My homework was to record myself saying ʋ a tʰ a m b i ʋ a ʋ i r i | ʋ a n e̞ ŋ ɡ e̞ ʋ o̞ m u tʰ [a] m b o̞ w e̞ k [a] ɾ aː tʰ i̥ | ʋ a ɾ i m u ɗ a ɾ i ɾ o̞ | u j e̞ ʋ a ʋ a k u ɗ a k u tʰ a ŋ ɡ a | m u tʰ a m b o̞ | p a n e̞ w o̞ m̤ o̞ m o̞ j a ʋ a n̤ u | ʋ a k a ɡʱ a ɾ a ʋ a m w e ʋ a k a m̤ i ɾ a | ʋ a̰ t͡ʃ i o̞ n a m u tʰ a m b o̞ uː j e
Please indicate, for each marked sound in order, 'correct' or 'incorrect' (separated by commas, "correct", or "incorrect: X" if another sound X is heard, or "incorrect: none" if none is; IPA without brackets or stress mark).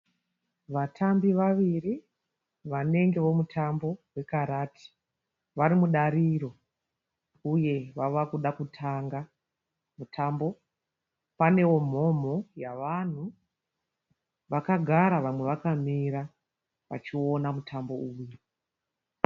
correct, correct